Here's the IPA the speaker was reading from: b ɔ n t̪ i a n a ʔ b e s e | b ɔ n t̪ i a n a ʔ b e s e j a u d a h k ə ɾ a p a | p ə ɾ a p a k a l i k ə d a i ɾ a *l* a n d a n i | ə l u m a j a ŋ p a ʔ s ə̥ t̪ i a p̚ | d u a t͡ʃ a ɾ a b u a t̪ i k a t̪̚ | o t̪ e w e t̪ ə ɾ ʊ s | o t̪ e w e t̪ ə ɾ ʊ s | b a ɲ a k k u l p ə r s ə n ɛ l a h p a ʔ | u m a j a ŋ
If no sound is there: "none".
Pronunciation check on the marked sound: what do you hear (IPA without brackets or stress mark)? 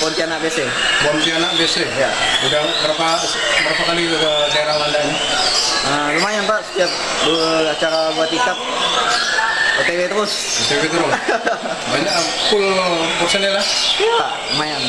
l